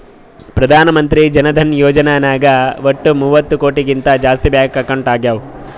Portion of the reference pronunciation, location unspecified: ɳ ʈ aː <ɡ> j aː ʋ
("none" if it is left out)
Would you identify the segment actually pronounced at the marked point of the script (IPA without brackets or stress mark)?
ɡ